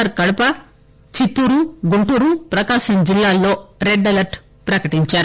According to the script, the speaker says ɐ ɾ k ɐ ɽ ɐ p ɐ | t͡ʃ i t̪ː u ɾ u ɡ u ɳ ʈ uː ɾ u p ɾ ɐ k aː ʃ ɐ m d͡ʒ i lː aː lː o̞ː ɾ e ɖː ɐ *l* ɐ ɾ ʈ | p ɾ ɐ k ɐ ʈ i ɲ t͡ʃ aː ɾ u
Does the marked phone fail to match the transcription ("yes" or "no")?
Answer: no